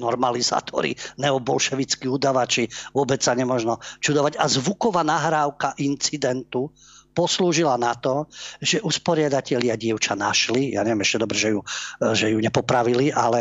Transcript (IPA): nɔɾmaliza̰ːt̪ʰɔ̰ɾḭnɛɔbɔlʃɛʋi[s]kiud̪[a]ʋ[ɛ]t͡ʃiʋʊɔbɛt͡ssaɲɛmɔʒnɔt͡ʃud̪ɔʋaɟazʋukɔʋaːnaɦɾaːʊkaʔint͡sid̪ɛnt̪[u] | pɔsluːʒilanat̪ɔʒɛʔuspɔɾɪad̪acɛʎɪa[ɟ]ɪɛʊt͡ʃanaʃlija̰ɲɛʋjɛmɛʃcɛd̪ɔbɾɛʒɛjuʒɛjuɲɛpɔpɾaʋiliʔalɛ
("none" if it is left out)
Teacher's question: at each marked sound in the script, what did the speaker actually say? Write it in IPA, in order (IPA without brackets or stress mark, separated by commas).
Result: t͡s, a, a, u, ɟ